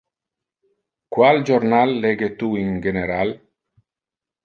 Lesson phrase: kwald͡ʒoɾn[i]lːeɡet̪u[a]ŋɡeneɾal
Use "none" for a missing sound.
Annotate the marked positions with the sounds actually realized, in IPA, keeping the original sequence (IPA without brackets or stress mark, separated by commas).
a, i